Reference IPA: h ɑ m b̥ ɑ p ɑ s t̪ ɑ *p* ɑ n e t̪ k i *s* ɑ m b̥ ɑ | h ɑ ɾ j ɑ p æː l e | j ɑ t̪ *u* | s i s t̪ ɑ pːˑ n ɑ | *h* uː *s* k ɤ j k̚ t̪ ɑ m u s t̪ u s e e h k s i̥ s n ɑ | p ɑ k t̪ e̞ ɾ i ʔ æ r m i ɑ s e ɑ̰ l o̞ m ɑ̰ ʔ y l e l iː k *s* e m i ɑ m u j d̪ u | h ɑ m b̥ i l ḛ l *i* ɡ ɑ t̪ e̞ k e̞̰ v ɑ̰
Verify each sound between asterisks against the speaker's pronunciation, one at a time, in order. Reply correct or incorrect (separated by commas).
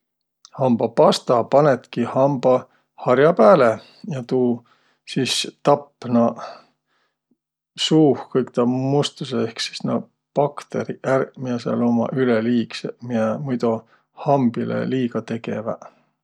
correct, incorrect, incorrect, incorrect, incorrect, correct, incorrect